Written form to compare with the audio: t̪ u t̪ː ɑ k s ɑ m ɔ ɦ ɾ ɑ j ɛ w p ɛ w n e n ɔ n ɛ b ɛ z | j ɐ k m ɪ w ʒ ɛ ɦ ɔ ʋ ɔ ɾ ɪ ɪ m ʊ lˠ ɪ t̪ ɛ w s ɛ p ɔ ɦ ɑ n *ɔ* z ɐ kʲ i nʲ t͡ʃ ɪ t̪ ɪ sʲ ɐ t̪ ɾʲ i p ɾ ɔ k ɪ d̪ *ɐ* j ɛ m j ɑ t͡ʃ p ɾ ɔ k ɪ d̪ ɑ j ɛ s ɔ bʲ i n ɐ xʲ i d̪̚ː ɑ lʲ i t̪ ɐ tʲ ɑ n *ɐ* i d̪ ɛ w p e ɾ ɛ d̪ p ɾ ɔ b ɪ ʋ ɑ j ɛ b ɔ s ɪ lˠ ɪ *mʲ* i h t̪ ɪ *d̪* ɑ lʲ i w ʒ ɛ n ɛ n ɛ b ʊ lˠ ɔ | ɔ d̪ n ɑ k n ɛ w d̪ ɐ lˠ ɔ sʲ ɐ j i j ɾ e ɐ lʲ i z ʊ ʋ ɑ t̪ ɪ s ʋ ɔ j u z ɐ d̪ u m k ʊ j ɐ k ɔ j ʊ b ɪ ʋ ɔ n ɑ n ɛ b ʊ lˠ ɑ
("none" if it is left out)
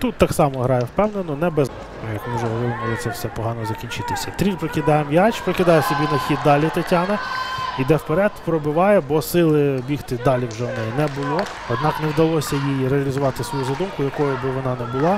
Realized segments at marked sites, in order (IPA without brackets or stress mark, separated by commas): ɔ, ɑ, ɐ, bʲ, d̪